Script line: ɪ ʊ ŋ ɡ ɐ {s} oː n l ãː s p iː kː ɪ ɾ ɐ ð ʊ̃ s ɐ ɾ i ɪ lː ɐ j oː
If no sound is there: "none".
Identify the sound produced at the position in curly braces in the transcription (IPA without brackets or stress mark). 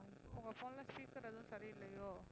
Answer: f